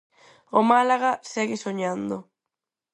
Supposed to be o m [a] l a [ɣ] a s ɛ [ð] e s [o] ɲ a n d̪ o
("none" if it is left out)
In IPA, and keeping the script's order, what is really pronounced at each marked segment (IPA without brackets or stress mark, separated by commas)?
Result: a, ɣ, ɣ, o